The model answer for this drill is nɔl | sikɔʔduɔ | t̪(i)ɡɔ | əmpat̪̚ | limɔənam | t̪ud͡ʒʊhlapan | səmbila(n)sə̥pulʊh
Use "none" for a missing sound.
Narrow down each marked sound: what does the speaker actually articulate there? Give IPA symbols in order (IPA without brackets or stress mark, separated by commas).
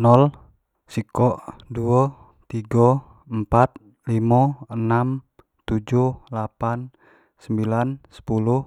i, n